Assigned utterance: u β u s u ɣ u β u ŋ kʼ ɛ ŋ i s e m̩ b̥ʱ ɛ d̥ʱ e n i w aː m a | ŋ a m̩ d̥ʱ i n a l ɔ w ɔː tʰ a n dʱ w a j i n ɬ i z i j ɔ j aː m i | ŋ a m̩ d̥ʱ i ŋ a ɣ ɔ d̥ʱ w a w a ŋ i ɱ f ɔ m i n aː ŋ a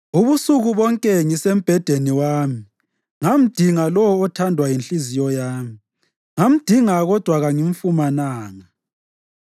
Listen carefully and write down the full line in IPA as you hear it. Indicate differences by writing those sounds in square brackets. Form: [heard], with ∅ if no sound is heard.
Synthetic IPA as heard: u β u s u ɣ u β [ɔ] ŋ kʼ ɛ ŋ i s e m̩ b̥ʱ ɛ d̥ʱ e n i w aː m [i] | ŋ a m̩ d̥ʱ i [ŋ] a l ɔ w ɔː tʰ a n dʱ w a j i n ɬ i z i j ɔ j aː m i | ŋ a m̩ d̥ʱ i ŋ a ɣ ɔ d̥ʱ w a [ɣ] a ŋ i ɱ f [u] m [a] n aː ŋ a